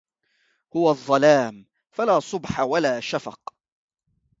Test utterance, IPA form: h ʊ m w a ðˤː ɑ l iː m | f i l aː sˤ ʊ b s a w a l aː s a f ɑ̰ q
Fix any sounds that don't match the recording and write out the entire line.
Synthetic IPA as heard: h ʊ w a ðˤː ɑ l aː m | f a l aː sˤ ʊ b ħ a w a l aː ʃ a f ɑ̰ q